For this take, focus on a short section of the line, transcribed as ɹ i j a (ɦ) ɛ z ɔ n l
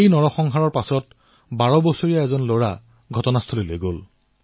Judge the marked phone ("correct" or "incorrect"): incorrect